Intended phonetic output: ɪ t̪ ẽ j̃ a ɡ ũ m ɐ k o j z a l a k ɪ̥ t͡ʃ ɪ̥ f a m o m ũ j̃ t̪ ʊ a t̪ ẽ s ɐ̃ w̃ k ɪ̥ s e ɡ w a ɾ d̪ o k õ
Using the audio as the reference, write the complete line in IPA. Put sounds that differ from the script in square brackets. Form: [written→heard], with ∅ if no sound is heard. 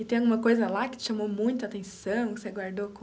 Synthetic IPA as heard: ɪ t̪ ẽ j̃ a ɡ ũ m ɐ k o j z [a→ɐ] l a k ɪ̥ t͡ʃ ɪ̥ [f→ʃ] a m o m ũ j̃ t̪ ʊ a t̪ ẽ s ɐ̃ w̃ k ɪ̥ s e ɡ w a ɾ d̪ o k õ

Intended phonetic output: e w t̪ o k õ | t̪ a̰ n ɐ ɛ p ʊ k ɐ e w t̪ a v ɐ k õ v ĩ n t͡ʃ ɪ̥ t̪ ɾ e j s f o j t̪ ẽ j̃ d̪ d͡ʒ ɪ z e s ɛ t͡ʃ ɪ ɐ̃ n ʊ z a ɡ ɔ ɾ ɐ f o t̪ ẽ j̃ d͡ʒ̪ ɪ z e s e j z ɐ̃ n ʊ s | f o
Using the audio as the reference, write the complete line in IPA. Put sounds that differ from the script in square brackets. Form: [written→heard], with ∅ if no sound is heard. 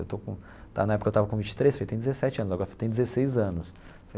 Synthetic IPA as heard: e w t̪ o k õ | t̪ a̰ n ɐ ɛ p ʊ k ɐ e w t̪ a v ɐ k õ v ĩ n t͡ʃ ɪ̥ t̪ ɾ e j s f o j t̪ ẽ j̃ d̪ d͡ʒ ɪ z e s ɛ t͡ʃ ɪ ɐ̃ n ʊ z a ɡ ɔ ɾ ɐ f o t̪ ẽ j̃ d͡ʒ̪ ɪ z e s e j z ɐ̃ n ʊ s | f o

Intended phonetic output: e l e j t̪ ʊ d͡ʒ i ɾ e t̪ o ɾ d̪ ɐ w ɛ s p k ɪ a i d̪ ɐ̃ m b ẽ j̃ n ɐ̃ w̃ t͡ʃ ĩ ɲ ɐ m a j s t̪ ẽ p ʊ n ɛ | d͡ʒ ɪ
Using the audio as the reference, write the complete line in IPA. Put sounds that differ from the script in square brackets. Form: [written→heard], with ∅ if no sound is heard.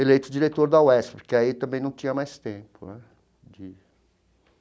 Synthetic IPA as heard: e l e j t̪ ʊ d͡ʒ i ɾ e t̪ o ɾ d̪ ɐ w ɛ s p k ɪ a i [d̪→t̪] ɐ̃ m b ẽ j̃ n ɐ̃ w̃ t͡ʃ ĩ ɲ ɐ m a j s t̪ ẽ p ʊ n ɛ | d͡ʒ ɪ

